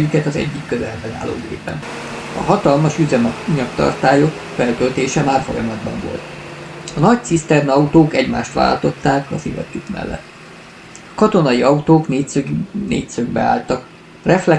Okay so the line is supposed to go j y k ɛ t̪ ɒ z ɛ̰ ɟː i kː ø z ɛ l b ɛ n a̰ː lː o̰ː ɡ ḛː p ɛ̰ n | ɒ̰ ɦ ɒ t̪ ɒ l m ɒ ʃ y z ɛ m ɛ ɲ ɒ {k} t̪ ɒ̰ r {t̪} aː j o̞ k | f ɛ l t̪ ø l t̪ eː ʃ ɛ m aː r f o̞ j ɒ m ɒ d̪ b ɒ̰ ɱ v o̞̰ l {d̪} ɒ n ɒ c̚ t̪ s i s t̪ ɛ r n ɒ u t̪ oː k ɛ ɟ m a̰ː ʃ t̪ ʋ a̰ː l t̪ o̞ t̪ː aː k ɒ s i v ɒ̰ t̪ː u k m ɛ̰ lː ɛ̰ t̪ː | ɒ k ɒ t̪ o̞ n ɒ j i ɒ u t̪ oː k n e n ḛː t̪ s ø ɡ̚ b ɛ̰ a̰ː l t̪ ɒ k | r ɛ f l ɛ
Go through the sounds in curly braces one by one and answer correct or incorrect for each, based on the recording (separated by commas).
correct, correct, incorrect